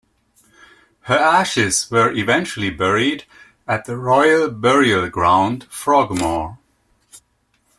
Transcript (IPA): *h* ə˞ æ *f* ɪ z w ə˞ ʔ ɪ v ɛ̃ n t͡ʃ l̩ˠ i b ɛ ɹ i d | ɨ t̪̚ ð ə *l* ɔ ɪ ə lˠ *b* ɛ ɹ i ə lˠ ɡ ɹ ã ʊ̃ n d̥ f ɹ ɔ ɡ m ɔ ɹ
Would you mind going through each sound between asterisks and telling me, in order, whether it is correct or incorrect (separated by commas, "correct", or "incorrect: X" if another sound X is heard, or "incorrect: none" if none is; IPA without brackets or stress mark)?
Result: correct, incorrect: ʃ, incorrect: ɹ, correct